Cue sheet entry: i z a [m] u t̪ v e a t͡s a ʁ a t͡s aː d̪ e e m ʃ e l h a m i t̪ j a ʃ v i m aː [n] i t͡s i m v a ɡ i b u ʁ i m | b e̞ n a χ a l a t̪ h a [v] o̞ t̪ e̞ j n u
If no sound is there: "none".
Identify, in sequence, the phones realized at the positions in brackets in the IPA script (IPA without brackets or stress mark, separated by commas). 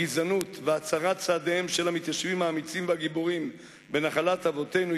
n, m, v